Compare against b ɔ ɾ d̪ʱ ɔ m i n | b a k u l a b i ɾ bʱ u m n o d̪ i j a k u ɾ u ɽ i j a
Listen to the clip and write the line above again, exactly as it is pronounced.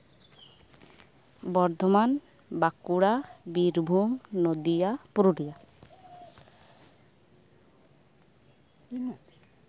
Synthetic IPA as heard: b ɔ ɾ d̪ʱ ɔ m a n | b a k u ɽ a b i ɾ bʱ u m n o d̪ i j a p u ɾ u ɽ i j a

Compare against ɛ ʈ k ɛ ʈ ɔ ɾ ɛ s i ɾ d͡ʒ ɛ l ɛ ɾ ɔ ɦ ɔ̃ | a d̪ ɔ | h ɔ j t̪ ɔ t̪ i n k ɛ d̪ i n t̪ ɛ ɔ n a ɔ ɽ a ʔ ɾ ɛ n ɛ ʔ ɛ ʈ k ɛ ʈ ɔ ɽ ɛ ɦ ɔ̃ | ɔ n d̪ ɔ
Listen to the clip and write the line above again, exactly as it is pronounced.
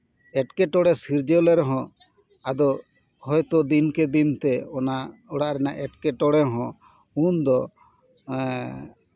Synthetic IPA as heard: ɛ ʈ k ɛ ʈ ɔ ɽ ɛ s i ɾ d͡ʒ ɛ l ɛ ɾ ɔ ɦ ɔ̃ | a d̪ ɔ | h ɔ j t̪ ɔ d̪ i n k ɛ d̪ i n t̪ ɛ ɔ n a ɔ ɽ a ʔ ɾ ɛ n a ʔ ɛ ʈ k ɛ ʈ ɔ ɽ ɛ ɦ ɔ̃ | u n d̪ ɔ

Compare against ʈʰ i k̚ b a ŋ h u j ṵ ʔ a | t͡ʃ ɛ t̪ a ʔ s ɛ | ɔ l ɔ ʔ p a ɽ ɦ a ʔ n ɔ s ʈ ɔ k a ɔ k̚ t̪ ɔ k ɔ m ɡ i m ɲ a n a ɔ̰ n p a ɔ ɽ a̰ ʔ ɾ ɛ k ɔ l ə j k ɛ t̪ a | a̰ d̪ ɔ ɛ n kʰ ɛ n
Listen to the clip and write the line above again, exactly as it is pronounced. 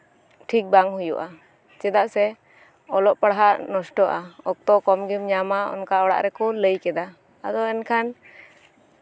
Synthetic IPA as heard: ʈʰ i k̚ b a ŋ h u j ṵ ʔ a | t͡ʃ ɛ d̪ a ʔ s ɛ | ɔ l ɔ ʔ p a ɽ ɦ a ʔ n ɔ s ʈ ɔ ʔ a ɔ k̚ t̪ ɔ k ɔ m ɡ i m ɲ a m a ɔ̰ n k a ɔ ɽ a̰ ʔ ɾ ɛ k ɔ l ə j k ɛ d̪ a | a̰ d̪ ɔ ɛ n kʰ a n

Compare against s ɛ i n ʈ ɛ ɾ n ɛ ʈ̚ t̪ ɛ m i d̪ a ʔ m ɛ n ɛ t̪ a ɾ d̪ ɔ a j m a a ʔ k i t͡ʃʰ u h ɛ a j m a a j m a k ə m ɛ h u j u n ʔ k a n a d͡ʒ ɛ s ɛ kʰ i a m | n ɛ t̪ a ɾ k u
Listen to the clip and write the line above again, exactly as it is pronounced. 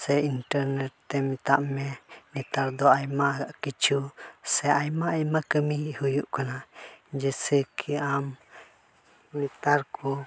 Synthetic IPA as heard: s ɛ i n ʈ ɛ ɾ n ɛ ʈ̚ t̪ ɛ m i t̪ a ʔ m ɛ n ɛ t̪ a ɾ d̪ ɔ a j m a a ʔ k i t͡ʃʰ u s ɛ a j m a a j m a k ə m i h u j u ʔ k a n a d͡ʒ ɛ s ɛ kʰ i a m | n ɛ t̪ a ɾ k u

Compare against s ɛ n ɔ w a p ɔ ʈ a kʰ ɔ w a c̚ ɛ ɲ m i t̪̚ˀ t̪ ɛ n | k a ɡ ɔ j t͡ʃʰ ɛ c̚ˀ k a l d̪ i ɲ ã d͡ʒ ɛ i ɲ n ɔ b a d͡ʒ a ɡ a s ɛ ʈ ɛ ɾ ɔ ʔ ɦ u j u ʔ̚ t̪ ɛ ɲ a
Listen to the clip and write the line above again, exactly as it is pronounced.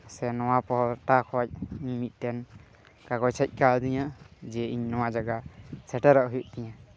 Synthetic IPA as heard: s ɛ n ɔ w a p ɔ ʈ a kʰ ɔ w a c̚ i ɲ m i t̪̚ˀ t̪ ɛ n | k a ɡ ɔ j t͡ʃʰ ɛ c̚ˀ k a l d̪ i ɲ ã d͡ʒ ɛ i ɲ n ɔ w a d͡ʒ a ɡ a s ɛ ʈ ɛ ɾ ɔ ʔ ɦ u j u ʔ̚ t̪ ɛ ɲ a

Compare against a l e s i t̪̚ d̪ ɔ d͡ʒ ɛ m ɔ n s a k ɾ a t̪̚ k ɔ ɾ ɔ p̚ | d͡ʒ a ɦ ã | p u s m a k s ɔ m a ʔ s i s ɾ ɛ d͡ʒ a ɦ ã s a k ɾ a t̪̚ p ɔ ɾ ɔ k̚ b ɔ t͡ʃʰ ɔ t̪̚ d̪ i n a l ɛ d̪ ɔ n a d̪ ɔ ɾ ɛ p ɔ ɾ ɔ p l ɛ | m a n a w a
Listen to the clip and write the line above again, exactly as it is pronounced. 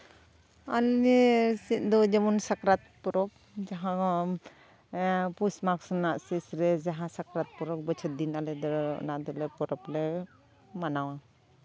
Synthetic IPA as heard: a l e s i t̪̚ d̪ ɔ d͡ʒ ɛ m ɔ n s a k ɾ a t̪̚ p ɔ ɾ ɔ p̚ | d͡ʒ a ɦ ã | p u s m a k s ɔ n a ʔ s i s ɾ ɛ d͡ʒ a ɦ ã s a k ɾ a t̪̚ p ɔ ɾ ɔ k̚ b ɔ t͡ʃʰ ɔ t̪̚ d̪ i n a l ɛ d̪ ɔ n a d̪ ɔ l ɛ p ɔ ɾ ɔ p l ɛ | m a n a w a

